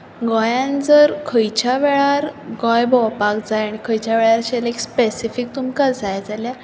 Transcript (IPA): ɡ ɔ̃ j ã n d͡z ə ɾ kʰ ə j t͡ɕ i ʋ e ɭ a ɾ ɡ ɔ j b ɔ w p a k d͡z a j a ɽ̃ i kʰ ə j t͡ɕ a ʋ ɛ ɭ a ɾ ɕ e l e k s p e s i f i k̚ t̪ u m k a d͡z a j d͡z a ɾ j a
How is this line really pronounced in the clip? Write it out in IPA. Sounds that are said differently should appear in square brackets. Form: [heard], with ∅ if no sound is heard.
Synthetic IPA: ɡ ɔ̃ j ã n d͡z ə ɾ kʰ ə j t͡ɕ [a] ʋ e ɭ a ɾ ɡ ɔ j b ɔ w p a k d͡z a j a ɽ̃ i kʰ ə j t͡ɕ a ʋ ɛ ɭ a ɾ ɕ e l e k s p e s i f i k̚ t̪ u m k a d͡z a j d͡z a [l] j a